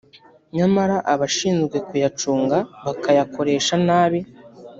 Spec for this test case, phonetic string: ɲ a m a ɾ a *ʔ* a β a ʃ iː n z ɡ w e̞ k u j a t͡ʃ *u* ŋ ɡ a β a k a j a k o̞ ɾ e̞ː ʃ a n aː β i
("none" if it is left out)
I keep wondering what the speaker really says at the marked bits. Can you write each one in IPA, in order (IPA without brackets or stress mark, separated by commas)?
ʔ, uː